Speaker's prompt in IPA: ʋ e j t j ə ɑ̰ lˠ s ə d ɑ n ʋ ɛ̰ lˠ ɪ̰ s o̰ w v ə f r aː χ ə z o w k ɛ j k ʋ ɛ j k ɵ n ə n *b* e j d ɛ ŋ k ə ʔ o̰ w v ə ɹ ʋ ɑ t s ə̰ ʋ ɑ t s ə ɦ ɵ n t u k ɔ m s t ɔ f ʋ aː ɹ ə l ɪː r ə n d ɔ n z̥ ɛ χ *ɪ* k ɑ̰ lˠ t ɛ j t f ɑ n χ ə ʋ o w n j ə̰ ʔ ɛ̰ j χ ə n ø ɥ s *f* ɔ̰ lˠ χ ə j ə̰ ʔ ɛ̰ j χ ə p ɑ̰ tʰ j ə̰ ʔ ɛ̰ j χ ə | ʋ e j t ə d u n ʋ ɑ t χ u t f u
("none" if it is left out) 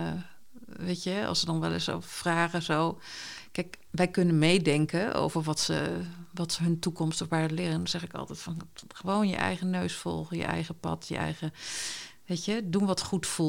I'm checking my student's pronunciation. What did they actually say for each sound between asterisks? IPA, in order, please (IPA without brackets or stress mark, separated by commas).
m, ɪ, f